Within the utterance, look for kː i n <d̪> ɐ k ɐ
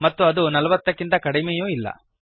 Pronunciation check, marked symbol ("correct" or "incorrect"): incorrect